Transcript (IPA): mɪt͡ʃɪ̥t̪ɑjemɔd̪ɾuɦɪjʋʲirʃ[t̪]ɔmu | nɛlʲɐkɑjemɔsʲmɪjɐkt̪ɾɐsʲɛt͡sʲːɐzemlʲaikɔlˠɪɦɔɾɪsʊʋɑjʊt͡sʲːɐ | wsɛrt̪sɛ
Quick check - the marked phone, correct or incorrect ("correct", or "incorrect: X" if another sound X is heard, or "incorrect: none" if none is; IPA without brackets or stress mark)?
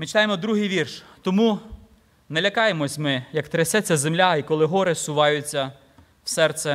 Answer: correct